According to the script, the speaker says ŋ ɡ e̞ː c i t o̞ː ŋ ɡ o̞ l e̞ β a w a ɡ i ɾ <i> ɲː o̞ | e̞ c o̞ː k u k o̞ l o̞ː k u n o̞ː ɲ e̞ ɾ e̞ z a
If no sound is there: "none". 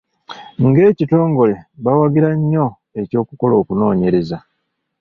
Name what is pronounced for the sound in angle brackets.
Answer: a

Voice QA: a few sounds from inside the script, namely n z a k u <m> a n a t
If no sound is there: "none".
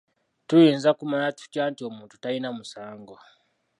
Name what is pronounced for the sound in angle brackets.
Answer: m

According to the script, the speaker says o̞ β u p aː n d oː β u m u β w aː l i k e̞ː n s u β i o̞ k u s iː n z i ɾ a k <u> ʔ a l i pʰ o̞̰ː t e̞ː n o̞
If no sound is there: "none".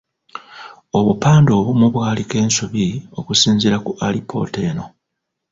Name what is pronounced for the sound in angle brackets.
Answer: u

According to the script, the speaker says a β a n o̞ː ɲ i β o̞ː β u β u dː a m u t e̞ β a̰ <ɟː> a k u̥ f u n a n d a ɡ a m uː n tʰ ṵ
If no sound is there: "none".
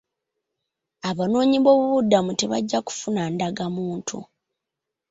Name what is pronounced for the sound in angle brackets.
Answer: ɟː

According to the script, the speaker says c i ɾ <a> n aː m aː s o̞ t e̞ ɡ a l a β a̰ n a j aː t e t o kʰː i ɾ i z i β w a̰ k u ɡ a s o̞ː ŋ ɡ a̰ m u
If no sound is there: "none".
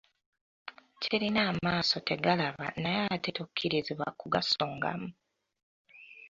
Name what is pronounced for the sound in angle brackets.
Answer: i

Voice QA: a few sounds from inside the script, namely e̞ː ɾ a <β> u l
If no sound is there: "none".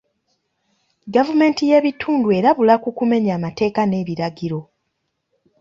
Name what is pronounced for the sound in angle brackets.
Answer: β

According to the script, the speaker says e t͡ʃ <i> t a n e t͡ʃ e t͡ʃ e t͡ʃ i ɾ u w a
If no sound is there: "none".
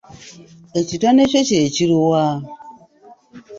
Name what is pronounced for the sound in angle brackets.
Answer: i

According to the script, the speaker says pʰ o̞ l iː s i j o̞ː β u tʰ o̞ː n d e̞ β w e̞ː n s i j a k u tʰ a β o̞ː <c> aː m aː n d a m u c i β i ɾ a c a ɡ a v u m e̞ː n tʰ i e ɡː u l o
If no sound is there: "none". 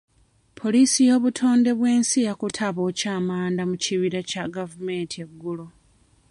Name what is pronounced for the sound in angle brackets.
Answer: c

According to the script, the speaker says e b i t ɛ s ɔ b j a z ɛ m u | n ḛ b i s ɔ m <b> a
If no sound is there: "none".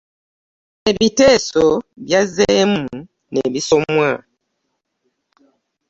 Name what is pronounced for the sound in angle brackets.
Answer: w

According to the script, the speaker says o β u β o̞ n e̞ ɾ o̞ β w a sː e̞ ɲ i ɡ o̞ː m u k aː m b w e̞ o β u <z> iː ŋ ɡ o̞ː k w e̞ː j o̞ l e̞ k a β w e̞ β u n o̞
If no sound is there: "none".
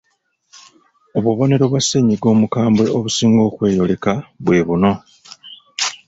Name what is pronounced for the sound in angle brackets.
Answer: s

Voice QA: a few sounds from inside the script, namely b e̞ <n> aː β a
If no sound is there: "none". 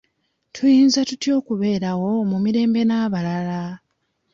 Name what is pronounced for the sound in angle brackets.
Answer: n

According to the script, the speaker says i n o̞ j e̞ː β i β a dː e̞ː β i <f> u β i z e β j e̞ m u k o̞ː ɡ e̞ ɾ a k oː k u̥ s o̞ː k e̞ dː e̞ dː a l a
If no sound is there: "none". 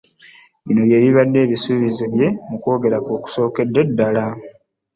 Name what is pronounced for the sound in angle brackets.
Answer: s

